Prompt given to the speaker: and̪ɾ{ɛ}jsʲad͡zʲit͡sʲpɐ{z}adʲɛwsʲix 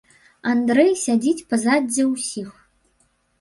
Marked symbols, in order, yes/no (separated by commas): yes, yes